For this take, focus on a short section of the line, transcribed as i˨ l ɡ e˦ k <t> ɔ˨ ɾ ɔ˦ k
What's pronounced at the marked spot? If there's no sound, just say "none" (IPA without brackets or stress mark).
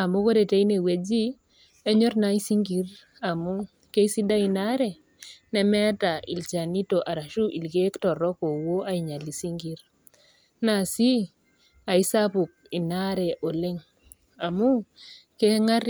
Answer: t